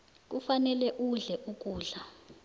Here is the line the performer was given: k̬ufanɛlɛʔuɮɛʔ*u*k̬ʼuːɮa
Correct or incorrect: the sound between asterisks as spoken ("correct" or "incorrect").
correct